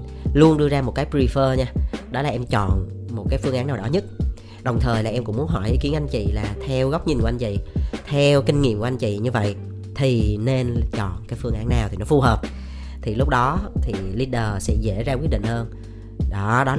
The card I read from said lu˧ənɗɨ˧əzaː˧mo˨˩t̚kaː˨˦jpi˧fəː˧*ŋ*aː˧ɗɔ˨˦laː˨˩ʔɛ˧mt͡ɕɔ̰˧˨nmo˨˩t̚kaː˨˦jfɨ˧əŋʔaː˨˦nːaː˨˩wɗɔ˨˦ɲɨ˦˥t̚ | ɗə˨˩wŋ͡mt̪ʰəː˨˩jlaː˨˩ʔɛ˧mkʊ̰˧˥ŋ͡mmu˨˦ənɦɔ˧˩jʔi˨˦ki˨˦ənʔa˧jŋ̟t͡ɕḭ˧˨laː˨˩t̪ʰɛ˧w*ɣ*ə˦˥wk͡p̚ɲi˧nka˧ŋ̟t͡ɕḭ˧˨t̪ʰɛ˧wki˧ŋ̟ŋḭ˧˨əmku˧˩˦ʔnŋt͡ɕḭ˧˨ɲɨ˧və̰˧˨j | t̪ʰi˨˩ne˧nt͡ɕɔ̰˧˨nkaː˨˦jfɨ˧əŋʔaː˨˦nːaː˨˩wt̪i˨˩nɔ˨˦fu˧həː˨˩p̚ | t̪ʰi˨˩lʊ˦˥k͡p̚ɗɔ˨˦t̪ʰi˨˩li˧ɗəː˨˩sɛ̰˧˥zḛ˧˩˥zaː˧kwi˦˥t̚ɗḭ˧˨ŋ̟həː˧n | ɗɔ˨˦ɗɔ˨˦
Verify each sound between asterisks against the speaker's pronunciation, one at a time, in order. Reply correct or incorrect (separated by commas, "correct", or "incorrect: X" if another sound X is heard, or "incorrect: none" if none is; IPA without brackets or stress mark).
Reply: incorrect: ɲ, correct